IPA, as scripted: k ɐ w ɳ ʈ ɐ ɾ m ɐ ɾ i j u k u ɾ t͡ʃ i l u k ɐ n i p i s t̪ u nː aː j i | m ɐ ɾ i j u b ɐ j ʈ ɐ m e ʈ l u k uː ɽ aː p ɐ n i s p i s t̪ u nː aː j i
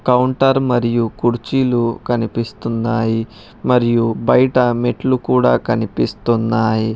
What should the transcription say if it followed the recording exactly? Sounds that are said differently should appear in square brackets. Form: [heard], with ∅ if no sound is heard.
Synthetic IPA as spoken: k ɐ w ɳ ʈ ɐ ɾ m ɐ ɾ i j u k u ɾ t͡ʃ i l u k ɐ n i p i s t̪ u nː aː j i | m ɐ ɾ i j u b ɐ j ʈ ɐ m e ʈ l u k uː ɽ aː [k] ɐ n i [∅] p i s t̪ u nː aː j i